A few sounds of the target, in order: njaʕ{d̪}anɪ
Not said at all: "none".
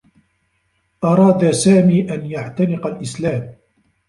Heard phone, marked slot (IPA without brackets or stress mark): t̪